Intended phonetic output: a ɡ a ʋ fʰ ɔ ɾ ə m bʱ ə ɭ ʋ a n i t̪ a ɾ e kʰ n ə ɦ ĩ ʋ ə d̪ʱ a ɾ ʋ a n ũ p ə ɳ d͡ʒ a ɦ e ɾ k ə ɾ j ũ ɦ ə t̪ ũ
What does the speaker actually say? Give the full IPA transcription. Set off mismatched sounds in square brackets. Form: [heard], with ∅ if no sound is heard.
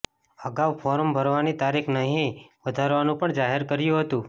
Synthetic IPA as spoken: [ə] ɡ a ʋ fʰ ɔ ɾ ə m bʱ ə [ɾ] ʋ a n i t̪ a ɾ [i] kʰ n ə ɦ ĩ ʋ ə d̪ʱ a ɾ ʋ a n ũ p ə ɳ d͡ʒ a ɦ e ɾ k ə ɾ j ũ ɦ ə t̪ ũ